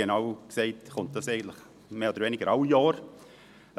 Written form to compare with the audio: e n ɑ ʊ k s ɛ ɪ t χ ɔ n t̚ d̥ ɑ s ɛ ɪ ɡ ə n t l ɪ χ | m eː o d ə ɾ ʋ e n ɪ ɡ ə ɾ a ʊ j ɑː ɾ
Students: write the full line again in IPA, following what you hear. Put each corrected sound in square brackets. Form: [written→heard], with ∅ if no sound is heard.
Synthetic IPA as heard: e n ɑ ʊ k s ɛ ɪ t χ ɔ n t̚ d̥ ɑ s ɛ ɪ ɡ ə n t l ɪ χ | m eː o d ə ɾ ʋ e n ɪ ɡ ə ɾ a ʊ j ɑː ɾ